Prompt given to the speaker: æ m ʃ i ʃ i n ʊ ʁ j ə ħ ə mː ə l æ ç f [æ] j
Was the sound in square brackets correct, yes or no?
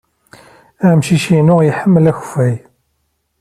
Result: yes